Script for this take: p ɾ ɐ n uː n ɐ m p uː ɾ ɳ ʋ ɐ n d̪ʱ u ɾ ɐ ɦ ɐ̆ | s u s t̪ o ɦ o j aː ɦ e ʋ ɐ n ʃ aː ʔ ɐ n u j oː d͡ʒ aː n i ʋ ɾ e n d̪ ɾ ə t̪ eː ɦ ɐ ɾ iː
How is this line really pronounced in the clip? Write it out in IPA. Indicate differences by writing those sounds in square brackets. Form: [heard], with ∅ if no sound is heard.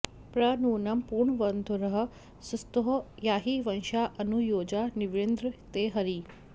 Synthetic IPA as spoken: p ɾ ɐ n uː n ɐ m p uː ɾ ɳ ʋ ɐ n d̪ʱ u ɾ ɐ ɦ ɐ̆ | s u s t̪ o ɦ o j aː ɦ [i] ʋ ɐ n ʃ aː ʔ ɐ n u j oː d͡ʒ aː n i ʋ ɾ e n d̪ ɾ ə t̪ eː ɦ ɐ ɾ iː